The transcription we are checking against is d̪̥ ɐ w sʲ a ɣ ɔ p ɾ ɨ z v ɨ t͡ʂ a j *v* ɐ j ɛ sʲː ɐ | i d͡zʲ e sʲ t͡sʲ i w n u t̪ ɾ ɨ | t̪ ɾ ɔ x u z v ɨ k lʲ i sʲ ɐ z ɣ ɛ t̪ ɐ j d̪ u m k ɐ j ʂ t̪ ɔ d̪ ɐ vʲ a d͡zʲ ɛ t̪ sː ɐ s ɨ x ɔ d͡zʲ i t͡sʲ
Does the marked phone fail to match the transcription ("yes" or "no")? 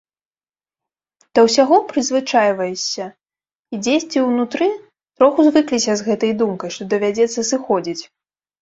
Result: no